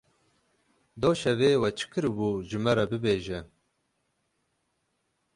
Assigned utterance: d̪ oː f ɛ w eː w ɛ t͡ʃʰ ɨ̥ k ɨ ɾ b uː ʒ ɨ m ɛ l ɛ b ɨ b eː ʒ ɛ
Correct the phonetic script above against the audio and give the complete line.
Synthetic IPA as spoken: d̪ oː ʃ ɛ v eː w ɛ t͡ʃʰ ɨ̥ k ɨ ɾ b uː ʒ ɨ m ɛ ɾ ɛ b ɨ b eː ʒ ɛ